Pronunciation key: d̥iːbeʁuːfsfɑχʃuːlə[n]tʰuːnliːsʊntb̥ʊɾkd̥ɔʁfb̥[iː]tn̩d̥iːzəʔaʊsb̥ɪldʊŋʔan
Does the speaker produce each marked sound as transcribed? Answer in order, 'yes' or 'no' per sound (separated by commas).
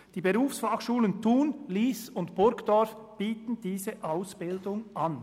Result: yes, yes